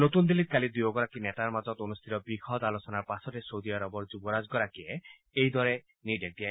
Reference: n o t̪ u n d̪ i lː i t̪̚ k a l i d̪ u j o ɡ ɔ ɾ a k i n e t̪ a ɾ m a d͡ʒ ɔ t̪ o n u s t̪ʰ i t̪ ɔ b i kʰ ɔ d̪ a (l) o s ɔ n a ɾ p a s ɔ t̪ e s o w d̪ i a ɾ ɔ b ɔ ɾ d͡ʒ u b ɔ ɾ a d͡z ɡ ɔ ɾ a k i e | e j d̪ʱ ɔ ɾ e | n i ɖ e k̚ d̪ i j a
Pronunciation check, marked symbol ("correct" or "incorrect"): correct